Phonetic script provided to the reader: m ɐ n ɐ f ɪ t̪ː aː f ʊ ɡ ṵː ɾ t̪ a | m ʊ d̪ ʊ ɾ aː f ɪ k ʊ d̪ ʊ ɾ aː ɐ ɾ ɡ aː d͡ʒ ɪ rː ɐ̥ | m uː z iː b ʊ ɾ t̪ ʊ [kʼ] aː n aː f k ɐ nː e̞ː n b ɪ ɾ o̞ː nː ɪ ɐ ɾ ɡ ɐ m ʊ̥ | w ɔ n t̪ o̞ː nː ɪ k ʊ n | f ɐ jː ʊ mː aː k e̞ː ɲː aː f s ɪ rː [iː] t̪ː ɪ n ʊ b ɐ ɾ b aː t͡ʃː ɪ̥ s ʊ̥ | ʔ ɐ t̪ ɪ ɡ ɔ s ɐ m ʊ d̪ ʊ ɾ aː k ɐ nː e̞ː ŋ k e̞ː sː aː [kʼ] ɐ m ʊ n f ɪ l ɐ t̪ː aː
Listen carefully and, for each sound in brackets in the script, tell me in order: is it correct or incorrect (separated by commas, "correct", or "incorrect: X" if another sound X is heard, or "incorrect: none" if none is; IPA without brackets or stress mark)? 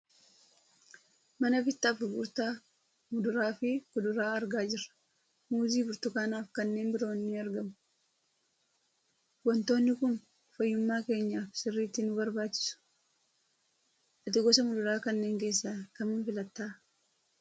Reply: incorrect: k, correct, incorrect: k